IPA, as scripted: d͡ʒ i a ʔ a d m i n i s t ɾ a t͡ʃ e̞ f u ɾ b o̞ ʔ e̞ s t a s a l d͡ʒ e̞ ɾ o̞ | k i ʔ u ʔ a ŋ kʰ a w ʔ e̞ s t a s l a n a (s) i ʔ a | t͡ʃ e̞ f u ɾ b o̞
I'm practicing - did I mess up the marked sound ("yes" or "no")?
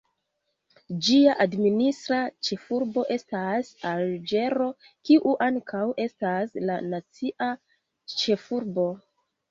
yes